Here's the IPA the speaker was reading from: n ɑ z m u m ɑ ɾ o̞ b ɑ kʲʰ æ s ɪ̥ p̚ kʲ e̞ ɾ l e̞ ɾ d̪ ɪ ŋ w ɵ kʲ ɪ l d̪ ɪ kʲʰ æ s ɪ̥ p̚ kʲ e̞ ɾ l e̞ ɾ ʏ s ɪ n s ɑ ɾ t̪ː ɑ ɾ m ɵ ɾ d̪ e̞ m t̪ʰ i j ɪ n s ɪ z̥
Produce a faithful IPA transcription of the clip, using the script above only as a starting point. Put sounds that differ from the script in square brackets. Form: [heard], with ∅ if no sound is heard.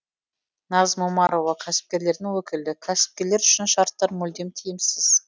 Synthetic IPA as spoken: n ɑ z m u m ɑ ɾ o̞ [v] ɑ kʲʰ æ s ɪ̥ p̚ kʲ e̞ ɾ l e̞ ɾ d̪ ɪ ŋ w ɵ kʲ ɪ l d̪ ɪ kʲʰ æ s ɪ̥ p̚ kʲ e̞ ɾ l e̞ ɾ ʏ [ʃ] ɪ n [ʃ] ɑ ɾ t̪ː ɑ ɾ m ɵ [l] d̪ e̞ m t̪ʰ i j ɪ [m] s ɪ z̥